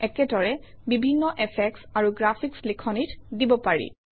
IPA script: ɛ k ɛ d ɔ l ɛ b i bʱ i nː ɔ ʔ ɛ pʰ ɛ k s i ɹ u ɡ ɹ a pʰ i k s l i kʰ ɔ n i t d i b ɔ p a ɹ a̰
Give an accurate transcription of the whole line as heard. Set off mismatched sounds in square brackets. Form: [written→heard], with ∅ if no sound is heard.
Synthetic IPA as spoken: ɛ k ɛ d ɔ [l→ɹ] ɛ b i bʱ i nː ɔ ʔ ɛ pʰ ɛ k s [i→a] ɹ u ɡ ɹ a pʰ i k s l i kʰ ɔ n i t d i b ɔ p a ɹ [a̰→ḭ]